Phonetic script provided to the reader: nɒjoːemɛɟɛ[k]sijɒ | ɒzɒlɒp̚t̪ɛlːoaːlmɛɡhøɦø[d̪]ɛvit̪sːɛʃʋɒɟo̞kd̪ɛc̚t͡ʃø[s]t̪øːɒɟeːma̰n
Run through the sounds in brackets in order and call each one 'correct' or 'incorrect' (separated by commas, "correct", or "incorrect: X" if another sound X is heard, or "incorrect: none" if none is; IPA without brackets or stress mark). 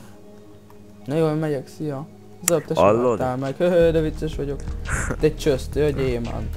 correct, correct, correct